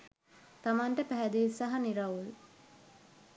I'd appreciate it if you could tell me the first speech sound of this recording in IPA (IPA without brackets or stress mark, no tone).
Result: t̪